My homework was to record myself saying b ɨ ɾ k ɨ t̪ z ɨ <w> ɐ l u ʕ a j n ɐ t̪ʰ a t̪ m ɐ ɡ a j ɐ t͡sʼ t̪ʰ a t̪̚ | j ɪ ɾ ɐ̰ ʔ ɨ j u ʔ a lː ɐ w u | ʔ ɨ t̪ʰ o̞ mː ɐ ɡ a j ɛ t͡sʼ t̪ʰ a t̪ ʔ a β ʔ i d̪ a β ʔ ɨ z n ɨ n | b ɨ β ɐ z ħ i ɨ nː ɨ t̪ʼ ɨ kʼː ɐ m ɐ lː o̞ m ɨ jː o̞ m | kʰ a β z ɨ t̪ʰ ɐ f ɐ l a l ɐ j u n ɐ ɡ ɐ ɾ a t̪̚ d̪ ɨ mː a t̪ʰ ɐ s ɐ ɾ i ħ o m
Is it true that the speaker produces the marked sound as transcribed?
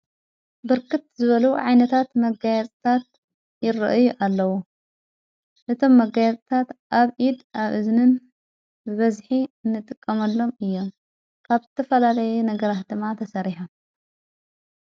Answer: no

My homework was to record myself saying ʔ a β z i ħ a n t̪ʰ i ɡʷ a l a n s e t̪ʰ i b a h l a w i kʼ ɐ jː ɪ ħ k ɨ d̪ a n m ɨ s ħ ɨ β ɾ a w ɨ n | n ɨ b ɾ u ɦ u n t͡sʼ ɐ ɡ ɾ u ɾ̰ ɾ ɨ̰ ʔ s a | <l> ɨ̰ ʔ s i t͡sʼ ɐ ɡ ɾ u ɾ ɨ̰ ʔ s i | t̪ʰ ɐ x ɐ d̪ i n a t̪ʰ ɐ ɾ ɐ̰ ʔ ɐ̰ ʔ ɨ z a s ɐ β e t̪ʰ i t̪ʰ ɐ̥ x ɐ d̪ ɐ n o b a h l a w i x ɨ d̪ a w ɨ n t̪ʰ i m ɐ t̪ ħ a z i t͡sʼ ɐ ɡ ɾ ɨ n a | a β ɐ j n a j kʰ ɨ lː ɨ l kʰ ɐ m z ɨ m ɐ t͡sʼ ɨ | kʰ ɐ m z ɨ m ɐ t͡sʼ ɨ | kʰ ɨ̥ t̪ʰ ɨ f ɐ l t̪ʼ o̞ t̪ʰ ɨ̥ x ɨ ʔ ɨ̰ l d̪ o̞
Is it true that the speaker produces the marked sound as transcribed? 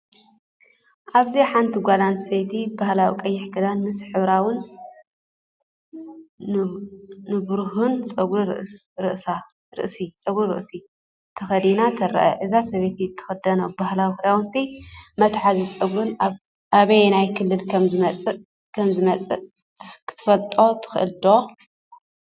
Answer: no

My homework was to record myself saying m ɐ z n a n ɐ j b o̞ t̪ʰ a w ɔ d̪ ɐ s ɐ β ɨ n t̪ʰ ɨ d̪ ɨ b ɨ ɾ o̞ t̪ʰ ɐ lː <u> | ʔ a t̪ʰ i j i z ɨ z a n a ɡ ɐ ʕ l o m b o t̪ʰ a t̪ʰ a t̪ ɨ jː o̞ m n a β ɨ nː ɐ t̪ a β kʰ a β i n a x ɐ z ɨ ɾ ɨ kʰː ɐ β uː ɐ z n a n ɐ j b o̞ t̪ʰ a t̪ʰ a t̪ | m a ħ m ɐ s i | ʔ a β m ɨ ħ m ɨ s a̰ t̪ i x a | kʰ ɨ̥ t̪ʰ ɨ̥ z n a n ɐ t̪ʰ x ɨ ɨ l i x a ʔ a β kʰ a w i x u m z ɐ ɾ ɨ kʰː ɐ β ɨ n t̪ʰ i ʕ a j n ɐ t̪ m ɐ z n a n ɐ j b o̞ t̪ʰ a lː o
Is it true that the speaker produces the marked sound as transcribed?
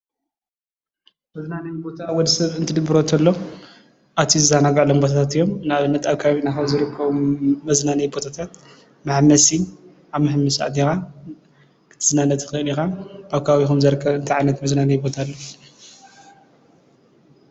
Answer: no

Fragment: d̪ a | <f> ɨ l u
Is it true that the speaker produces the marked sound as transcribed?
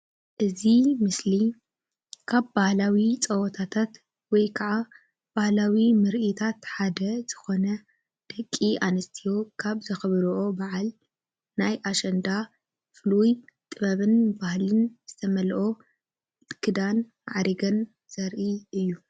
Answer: yes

